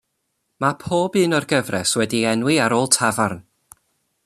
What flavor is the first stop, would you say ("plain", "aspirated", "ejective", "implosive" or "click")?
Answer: aspirated